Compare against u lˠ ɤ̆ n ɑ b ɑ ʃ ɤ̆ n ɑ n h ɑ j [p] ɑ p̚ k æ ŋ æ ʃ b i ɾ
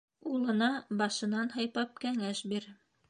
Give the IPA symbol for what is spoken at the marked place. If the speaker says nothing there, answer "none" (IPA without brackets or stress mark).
p